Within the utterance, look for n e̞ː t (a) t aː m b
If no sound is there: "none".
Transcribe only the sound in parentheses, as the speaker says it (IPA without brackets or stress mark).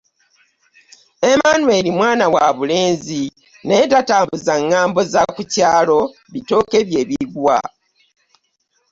a